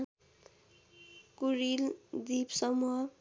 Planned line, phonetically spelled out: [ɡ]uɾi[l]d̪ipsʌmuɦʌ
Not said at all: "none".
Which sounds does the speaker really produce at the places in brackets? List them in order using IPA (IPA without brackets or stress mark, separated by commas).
k, l